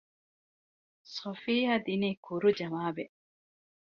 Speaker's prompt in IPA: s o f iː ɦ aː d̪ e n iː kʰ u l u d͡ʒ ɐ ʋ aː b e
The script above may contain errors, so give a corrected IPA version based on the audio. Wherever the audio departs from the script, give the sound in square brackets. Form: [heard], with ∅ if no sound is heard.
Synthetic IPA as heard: s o f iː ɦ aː d̪ [i] n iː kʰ u [ɾ] u d͡ʒ ɐ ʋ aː b e